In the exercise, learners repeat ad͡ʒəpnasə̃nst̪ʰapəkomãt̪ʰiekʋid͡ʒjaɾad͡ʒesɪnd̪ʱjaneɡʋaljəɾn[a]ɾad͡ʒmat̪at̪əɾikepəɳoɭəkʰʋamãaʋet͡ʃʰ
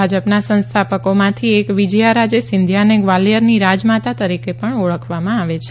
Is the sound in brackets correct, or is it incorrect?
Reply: incorrect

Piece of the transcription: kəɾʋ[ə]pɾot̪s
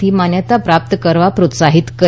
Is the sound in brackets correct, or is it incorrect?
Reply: incorrect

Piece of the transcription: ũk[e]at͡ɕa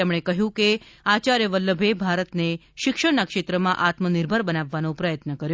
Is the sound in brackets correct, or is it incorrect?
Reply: correct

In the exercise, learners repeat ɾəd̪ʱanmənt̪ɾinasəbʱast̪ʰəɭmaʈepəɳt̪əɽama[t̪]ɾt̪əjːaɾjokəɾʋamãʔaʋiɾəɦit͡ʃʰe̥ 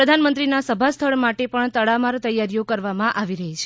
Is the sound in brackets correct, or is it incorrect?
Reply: incorrect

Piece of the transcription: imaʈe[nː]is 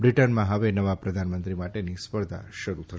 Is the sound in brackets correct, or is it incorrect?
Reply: incorrect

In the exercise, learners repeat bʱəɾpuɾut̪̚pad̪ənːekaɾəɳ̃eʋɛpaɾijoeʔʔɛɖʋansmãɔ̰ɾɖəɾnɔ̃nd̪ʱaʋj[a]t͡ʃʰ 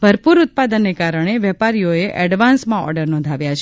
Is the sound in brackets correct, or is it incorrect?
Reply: correct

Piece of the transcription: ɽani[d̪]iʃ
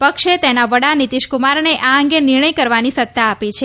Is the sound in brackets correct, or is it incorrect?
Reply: incorrect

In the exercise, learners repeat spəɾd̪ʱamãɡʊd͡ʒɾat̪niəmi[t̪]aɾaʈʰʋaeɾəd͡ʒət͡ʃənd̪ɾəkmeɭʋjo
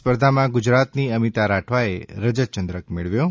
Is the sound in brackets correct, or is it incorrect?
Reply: correct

